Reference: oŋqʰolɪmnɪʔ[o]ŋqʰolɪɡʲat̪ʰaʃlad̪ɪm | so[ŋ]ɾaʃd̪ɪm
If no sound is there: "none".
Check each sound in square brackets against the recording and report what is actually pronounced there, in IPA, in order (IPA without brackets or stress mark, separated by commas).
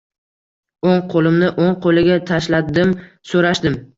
o, none